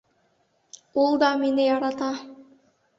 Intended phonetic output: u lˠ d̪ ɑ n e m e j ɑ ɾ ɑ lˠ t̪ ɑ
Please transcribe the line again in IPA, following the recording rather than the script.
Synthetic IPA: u lˠ d̪ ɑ m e n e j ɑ ɾ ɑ t̪ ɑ